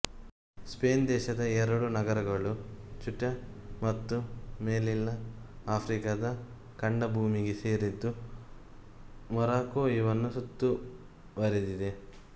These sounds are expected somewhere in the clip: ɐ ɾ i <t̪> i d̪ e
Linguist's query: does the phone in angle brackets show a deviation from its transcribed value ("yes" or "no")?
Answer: yes